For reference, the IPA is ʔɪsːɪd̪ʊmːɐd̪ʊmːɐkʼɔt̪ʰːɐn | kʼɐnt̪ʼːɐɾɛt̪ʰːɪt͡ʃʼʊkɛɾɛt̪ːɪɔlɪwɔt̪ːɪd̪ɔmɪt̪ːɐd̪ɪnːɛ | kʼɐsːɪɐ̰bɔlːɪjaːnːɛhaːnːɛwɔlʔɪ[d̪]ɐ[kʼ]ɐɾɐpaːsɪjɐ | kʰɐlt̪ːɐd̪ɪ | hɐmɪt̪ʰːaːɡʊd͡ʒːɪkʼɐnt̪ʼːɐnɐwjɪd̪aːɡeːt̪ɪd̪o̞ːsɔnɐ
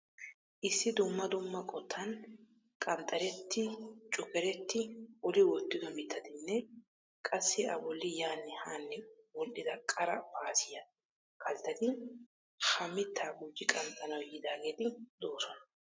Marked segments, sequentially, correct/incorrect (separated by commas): correct, correct